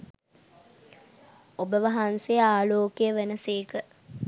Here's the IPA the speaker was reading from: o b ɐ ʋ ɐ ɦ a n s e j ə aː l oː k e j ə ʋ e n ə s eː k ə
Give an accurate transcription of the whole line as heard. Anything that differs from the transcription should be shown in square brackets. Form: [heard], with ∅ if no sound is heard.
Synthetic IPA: o b [ə] ʋ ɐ ɦ a n s e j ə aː l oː k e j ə ʋ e n ə s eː k ə